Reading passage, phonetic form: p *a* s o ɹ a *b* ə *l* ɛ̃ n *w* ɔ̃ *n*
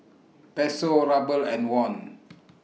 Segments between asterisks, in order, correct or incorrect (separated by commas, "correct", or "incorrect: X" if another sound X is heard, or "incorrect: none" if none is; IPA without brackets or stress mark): incorrect: ɛ, correct, correct, correct, correct